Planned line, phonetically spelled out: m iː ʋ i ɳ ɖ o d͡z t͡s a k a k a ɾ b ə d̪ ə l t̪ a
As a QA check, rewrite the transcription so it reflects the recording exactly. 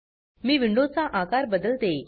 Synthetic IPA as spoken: m iː ʋ i ɳ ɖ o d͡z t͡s a ʔ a k a ɾ b ə d̪ ə l t̪ e